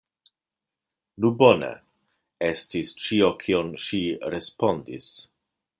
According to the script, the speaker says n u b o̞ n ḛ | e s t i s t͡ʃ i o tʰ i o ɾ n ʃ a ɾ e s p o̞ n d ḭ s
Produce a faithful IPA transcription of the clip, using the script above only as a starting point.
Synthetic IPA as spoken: n u b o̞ n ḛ | e s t i s t͡ʃ i o kʰ i o n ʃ i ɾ e s p o̞ n d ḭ s